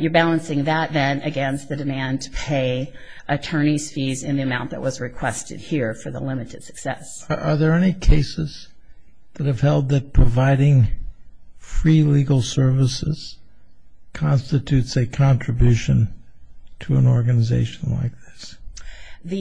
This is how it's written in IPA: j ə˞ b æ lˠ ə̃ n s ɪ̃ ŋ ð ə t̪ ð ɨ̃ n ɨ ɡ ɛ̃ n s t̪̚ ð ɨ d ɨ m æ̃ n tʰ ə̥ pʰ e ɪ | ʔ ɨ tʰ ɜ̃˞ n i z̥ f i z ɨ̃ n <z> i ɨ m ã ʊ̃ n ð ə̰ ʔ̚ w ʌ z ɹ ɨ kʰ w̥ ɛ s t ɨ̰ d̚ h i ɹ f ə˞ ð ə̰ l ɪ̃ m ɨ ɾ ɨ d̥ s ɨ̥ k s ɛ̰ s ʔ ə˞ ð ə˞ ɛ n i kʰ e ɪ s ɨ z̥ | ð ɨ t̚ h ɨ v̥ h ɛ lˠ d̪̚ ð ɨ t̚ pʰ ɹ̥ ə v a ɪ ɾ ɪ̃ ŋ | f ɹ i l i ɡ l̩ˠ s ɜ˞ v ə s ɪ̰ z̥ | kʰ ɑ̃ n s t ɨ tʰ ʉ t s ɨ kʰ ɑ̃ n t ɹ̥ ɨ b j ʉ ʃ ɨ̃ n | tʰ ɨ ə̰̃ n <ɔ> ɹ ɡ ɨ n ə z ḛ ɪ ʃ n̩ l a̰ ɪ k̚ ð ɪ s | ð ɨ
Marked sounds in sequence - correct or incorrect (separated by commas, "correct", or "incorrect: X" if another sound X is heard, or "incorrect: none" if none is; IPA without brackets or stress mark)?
incorrect: ð, correct